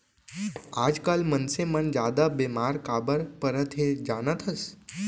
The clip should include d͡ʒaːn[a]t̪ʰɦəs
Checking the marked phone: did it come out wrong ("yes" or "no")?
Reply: yes